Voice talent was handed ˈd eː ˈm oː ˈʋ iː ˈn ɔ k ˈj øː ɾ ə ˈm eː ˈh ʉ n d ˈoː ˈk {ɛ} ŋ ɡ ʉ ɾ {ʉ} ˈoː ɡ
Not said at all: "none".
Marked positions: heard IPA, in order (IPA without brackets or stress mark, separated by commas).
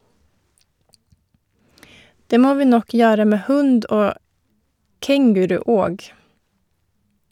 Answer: ɛ, ʉ